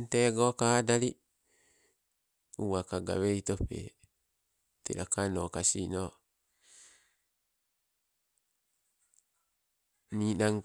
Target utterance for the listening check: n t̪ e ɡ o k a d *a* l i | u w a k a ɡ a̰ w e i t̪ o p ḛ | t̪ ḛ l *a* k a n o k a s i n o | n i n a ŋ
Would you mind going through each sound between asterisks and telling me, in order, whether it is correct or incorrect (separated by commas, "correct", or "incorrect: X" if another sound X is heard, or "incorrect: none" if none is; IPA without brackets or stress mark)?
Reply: correct, correct